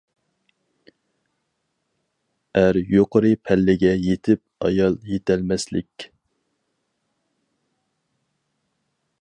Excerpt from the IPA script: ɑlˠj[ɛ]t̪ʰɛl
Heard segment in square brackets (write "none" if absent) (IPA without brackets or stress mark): e